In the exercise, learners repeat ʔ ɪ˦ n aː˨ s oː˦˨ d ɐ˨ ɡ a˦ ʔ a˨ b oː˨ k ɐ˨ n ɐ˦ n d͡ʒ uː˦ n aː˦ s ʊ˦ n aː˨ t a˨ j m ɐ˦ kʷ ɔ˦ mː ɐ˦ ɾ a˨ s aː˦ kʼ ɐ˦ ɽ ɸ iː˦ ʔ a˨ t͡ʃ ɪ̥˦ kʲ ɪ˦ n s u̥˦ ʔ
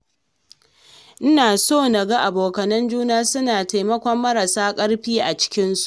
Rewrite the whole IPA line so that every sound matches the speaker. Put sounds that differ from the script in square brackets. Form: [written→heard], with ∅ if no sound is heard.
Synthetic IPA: ʔ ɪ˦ n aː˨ s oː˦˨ [d→n] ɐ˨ ɡ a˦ ʔ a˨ b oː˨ k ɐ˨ n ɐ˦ n d͡ʒ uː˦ n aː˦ s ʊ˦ n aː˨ t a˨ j m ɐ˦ kʷ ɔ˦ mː ɐ˦ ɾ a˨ s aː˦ kʼ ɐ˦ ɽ ɸ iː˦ ʔ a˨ t͡ʃ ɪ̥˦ kʲ ɪ˦ n s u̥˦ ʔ